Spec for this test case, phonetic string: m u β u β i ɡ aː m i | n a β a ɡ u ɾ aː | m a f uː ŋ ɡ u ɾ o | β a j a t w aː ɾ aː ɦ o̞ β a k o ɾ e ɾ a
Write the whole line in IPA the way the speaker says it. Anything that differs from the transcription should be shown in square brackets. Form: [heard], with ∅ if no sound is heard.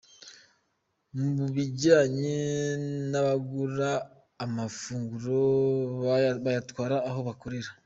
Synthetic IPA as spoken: m u β u β i [ɟ] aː [ɲ] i | n a β a ɡ u ɾ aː | m a f uː ŋ ɡ u ɾ o | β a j a t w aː ɾ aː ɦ o̞ β a k o ɾ e ɾ a